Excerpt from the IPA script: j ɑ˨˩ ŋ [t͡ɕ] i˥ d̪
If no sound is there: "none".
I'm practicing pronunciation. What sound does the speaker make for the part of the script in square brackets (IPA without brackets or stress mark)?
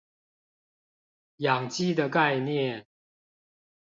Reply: t͡ɕ